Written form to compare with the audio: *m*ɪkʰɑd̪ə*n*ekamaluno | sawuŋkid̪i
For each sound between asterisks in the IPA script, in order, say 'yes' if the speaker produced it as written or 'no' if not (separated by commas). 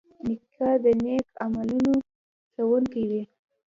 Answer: no, yes